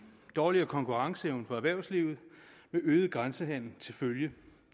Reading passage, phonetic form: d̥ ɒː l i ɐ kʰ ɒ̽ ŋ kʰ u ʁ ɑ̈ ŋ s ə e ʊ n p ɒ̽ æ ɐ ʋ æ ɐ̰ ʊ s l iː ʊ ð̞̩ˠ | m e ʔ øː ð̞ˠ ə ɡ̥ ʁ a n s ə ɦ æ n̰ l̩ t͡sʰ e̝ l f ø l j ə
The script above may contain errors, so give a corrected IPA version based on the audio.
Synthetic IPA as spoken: d̥ ɒː l i ɐ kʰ ɒ̽ ŋ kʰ u ʁ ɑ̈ ŋ s ə e ʊ n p ɒ̽ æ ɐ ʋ æ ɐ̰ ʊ s l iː ʊ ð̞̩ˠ | m e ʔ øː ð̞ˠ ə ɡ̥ ʁ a n s ə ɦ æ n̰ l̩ t͡sʰ e̝ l f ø l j ə